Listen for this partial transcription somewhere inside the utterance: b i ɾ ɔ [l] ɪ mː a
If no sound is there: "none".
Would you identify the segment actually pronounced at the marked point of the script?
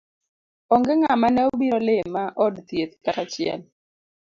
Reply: l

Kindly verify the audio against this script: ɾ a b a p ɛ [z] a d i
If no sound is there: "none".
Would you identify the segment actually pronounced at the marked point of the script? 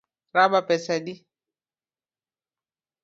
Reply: s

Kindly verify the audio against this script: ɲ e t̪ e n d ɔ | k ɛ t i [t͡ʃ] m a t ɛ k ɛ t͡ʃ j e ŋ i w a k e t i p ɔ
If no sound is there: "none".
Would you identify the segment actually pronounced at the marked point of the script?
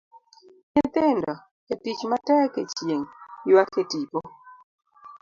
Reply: t͡ʃ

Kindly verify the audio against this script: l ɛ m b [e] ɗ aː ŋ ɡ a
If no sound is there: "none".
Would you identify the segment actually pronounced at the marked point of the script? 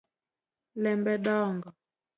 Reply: ɛ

